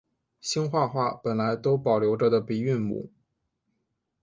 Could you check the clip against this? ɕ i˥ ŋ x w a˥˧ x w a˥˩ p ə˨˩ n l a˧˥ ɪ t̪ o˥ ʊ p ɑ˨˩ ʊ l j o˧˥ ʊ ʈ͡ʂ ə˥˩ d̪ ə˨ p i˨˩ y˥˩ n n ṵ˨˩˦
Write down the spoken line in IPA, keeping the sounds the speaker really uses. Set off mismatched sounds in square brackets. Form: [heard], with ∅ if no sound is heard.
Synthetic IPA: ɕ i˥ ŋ x w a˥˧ x w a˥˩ p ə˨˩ n l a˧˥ ɪ t̪ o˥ ʊ p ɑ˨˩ ʊ l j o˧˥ ʊ ʈ͡ʂ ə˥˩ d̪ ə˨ p i˨˩ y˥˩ n [m] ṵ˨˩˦

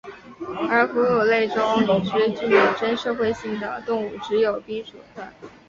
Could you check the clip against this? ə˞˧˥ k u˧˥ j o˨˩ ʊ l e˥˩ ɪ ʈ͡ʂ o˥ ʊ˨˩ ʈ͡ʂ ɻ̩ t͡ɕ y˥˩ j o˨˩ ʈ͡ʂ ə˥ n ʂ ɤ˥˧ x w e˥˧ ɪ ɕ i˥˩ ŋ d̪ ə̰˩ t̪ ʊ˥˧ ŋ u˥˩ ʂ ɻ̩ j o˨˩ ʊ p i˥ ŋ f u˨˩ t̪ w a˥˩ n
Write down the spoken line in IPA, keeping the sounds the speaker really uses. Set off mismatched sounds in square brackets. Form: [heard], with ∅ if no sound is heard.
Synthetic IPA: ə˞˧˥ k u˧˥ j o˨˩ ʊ l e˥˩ ɪ ʈ͡ʂ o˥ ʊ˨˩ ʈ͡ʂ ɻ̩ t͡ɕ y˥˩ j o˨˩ ʈ͡ʂ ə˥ n ʂ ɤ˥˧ x w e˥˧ ɪ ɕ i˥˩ ŋ d̪ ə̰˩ t̪ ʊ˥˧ ŋ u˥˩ [ʈ͡ʂ] ɻ̩ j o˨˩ ʊ p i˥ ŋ [ʂ] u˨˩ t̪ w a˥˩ n

